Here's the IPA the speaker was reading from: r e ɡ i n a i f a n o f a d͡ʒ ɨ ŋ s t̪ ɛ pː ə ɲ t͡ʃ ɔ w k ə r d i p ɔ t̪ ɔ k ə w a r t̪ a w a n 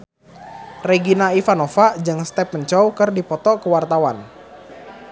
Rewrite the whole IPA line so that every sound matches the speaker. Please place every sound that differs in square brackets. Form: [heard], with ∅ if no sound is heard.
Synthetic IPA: r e ɡ i n a i f a n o f a d͡ʒ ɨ ŋ s t̪ ɛ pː ə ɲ t͡ʃ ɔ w k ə r d i p ɔ t̪ ɔ k ə w a r t̪ a w a n